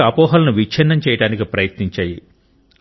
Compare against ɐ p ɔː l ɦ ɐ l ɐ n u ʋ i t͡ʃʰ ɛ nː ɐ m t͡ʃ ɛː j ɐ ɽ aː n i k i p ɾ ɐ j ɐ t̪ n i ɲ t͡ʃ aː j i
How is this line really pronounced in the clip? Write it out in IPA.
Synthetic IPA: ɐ p ɔː ɦ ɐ l ɐ n u ʋ i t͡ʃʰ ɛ nː ɐ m t͡ʃ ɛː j ɐ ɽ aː n i k i p ɾ ɐ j ɐ t̪ n i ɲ t͡ʃ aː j i